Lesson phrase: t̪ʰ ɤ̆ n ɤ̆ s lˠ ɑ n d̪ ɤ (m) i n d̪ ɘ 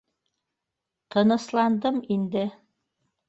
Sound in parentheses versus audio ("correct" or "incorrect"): correct